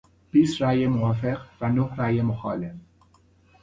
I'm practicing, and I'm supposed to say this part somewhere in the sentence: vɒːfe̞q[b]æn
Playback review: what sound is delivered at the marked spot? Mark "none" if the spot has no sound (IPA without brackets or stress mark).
v